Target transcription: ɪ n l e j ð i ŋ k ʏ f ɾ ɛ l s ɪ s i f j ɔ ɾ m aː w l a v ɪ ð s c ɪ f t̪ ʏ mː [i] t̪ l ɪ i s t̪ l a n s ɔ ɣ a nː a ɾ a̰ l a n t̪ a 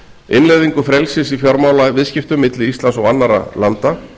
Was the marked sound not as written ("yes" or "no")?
yes